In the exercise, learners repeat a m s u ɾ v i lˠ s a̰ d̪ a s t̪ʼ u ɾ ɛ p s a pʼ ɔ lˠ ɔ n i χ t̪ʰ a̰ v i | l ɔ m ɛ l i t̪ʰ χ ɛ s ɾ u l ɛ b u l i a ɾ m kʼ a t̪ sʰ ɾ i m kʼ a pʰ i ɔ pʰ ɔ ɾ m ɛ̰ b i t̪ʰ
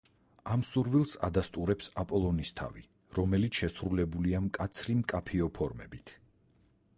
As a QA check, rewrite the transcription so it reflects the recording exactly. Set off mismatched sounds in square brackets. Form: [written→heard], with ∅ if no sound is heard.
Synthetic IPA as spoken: a m s u ɾ v i lˠ s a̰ d̪ a s t̪ʼ u ɾ ɛ p s a pʼ ɔ lˠ ɔ n i [χ→s] t̪ʰ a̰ v i | [l→ɾ] ɔ m ɛ l i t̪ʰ [χ→ʃ] ɛ s ɾ u l ɛ b u l i a [ɾ→∅] m kʼ a t̪ sʰ ɾ i m kʼ a pʰ i ɔ pʰ ɔ ɾ m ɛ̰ b i t̪ʰ